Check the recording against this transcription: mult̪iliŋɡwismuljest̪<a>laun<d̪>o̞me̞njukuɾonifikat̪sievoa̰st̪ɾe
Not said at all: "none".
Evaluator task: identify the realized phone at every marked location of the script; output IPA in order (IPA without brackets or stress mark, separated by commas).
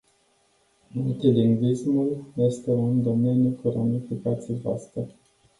e, d̪